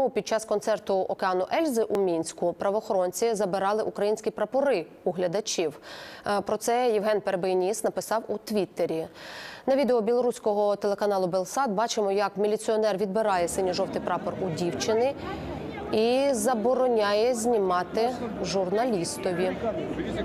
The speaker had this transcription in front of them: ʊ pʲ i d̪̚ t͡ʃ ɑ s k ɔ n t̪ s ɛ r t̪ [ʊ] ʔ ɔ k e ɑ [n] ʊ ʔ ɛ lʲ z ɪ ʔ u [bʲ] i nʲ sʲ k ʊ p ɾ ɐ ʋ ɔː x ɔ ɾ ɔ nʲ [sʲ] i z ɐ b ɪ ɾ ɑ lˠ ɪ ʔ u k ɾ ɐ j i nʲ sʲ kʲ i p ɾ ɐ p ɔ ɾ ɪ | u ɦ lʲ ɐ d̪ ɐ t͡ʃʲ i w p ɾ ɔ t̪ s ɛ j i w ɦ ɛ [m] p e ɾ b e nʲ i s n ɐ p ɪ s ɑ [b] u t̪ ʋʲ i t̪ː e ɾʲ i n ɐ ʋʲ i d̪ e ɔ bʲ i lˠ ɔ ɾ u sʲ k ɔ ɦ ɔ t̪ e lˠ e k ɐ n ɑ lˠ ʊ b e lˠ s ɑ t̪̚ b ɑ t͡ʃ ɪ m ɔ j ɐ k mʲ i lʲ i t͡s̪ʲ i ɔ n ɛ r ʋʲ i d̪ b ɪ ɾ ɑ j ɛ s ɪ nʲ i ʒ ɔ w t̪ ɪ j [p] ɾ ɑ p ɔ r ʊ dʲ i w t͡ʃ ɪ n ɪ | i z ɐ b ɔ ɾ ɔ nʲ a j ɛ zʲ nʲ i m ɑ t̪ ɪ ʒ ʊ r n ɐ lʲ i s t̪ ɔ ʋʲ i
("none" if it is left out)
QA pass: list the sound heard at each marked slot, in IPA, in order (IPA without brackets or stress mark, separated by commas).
ʊ, n, mʲ, t͡sʲ, n, w, p